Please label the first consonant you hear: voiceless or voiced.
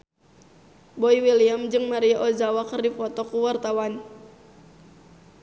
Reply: voiced